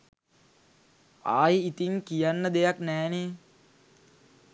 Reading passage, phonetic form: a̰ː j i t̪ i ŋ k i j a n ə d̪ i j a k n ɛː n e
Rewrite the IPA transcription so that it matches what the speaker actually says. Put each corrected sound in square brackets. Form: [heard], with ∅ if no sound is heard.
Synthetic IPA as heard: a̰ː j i t̪ i ŋ k i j a [nː] ə d̪ [e] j a k n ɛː n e